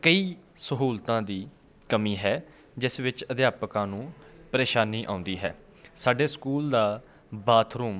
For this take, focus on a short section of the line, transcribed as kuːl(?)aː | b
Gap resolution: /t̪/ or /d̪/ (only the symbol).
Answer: d̪